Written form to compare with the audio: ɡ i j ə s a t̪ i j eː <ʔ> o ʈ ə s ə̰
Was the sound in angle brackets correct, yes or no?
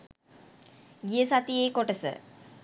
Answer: no